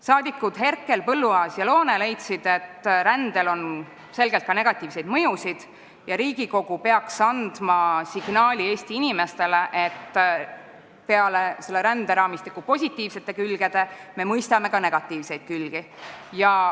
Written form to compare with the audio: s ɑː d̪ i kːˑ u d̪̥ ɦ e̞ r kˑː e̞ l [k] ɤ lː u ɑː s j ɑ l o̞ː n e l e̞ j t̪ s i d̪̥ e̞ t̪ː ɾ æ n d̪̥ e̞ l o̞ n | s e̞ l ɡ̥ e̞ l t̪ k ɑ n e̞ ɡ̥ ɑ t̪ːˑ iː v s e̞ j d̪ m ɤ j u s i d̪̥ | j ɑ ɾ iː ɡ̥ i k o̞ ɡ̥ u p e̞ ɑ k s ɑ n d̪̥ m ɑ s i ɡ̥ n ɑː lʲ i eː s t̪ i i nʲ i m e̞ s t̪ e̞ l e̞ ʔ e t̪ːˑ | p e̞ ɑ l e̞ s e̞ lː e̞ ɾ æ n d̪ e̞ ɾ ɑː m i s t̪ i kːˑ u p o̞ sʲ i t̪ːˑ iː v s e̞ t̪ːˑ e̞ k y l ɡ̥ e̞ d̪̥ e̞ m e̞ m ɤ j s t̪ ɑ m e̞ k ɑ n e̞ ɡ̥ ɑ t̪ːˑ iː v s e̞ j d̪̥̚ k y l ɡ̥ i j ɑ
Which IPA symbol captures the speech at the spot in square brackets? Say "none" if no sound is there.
p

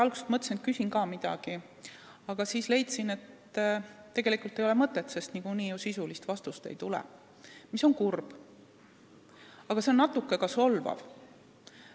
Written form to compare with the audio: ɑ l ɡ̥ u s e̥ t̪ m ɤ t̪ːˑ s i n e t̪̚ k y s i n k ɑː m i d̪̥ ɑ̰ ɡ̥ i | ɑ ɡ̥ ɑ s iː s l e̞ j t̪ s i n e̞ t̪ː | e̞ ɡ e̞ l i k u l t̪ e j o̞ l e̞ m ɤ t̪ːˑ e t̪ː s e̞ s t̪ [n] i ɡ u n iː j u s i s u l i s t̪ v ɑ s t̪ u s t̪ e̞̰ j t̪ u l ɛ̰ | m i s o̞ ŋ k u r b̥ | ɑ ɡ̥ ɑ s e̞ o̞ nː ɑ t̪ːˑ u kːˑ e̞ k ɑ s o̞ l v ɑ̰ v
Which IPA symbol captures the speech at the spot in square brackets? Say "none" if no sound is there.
n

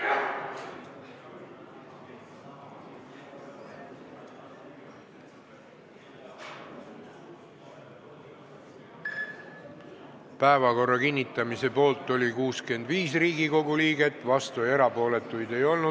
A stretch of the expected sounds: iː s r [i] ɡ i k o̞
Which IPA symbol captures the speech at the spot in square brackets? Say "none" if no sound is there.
iː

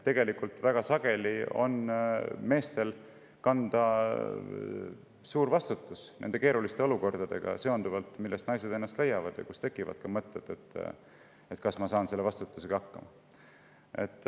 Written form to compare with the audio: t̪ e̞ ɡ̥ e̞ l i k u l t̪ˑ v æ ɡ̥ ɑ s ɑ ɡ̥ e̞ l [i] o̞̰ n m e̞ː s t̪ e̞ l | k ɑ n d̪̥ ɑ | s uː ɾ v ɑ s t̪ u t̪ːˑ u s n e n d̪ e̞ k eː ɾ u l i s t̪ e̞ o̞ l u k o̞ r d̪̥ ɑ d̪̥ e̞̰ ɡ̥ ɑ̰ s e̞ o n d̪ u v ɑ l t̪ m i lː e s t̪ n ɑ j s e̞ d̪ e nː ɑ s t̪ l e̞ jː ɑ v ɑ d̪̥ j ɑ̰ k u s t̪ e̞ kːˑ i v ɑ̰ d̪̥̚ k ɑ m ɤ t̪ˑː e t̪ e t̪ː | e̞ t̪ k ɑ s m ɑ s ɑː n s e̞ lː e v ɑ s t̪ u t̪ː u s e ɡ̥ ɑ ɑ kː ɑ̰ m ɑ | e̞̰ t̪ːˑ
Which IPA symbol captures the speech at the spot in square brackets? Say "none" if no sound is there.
i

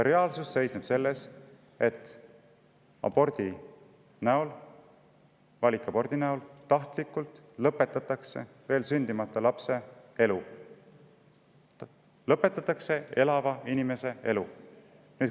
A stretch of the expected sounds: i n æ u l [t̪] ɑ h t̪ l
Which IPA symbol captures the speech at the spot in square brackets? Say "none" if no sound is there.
t̪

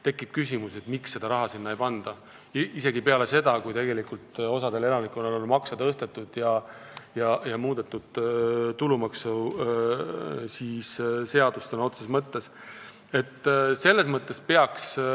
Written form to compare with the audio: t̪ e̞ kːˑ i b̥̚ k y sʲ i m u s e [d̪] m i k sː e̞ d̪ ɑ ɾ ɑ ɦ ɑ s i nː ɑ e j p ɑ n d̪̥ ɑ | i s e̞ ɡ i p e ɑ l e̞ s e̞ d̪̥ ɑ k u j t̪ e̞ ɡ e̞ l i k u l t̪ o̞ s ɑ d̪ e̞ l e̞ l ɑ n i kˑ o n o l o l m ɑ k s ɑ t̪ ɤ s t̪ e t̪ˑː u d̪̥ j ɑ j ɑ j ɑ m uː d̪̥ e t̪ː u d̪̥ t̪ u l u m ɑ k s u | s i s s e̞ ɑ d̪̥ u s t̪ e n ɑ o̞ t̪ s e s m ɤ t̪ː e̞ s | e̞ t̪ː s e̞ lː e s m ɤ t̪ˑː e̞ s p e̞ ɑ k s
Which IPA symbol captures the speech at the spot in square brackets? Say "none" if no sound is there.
t̪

